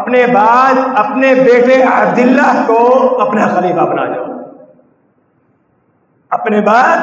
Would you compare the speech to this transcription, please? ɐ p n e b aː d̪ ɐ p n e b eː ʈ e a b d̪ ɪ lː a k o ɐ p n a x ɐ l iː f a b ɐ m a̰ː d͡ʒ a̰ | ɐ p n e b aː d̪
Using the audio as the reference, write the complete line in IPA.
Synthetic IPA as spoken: ɐ p n e b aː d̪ ɐ p n e b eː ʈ e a b d̪ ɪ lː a k o ɐ p n a x ɐ l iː f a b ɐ n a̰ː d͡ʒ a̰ | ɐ p n e b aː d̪